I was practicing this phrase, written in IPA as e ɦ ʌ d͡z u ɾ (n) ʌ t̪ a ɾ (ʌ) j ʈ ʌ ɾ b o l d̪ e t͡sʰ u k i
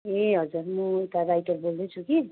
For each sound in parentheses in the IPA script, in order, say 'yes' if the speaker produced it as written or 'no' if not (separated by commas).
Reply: no, no